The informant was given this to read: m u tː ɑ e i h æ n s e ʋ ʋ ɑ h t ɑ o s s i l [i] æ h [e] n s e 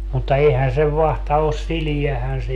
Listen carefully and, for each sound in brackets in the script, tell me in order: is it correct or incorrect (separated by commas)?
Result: correct, incorrect